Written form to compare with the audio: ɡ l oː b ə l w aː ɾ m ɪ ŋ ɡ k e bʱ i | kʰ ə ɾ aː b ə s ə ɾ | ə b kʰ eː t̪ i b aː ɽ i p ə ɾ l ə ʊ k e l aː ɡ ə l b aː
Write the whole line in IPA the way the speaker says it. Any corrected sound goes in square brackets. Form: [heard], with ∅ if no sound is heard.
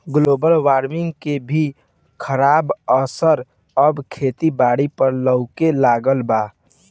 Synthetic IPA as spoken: ɡ l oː b ə l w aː ɾ m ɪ ŋ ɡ k e bʱ i | kʰ ə ɾ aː b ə s ə ɾ | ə b kʰ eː t̪ i b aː ɽ i p ə ɾ l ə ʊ k e l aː ɡ ə l b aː